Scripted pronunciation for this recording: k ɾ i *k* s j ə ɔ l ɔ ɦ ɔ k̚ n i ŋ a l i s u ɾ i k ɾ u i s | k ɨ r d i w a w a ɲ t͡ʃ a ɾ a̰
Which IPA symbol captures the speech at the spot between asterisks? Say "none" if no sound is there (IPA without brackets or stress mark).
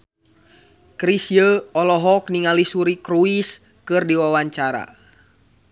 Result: none